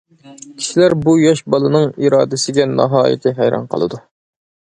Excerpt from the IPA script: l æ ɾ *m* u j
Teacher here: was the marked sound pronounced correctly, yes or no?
no